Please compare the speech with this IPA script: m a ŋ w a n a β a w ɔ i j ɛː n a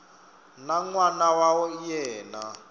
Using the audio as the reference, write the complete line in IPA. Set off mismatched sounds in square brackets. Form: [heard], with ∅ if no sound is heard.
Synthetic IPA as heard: [n] a ŋ w a n a [w] a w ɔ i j ɛː n a